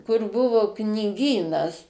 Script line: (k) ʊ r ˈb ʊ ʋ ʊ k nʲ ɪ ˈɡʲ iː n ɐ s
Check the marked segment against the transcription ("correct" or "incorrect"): correct